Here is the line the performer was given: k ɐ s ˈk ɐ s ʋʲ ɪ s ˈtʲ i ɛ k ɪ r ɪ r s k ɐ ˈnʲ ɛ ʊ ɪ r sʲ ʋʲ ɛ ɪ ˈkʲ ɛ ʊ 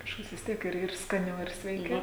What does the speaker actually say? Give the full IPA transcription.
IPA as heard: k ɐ ʃ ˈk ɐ s ʋʲ ɪ s ˈtʲ i ɛ k ɪ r ɪ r s k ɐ ˈnʲ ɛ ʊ ɪ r sʲ ʋʲ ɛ ɪ ˈkʲ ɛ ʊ